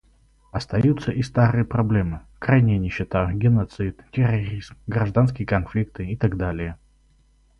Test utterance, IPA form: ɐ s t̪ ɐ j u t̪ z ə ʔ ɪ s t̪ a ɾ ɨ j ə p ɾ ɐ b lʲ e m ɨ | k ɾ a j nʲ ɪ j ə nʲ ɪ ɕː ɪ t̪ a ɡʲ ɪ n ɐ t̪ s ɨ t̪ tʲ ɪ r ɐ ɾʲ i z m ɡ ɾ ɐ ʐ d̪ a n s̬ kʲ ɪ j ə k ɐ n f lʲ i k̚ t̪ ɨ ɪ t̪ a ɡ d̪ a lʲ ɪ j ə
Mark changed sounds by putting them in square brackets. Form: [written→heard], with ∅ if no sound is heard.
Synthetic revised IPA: ɐ s t̪ ɐ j u t̪ [z→s] ə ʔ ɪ s t̪ a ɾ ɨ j ə p ɾ ɐ b lʲ e m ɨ | k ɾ a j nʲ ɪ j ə nʲ ɪ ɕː ɪ t̪ a ɡʲ ɪ n ɐ t̪ s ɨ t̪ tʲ ɪ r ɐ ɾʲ i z m ɡ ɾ ɐ ʐ d̪ a n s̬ kʲ ɪ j ə k ɐ n f lʲ i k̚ t̪ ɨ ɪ t̪ a ɡ d̪ a lʲ ɪ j ə